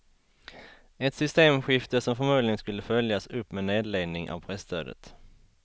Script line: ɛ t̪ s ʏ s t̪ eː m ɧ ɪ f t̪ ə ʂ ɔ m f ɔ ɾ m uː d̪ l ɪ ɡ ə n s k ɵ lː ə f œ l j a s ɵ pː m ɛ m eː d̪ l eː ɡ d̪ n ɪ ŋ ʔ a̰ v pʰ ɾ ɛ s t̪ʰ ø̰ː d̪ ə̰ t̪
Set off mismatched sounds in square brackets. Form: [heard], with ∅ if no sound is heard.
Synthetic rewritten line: ɛ t̪ s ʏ s t̪ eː m ɧ ɪ f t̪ ə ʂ ɔ m f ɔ ɾ m uː d̪ l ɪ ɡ ə n s k ɵ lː ə f œ l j a s ɵ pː m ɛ [n] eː d̪ l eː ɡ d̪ n ɪ ŋ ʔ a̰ v pʰ ɾ ɛ s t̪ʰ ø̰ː d̪ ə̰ t̪